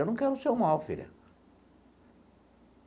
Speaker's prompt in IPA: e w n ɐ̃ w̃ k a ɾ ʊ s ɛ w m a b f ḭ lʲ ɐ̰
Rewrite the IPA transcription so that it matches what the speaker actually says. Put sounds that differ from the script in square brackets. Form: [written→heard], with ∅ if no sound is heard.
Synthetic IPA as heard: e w n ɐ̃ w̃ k [a→ɛ] ɾ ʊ s [ɛ→e] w m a [b→w] f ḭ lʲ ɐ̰